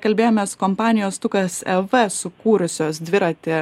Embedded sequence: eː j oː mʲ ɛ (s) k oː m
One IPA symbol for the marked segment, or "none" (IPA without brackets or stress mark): s